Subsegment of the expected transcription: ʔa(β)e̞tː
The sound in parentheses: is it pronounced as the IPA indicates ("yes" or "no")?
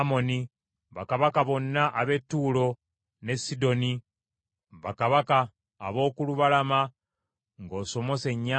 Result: yes